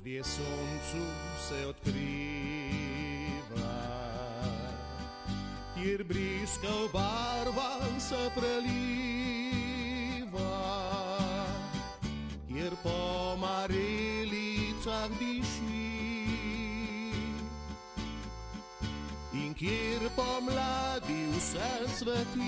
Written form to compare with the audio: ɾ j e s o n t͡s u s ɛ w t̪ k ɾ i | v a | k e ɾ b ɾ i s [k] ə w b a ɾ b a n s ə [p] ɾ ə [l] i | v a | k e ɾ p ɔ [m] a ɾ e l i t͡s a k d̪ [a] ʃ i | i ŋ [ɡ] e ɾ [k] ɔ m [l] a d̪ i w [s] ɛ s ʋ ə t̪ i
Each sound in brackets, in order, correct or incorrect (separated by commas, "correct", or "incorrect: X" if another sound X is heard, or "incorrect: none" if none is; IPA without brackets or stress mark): correct, correct, correct, correct, incorrect: i, incorrect: k, incorrect: p, correct, correct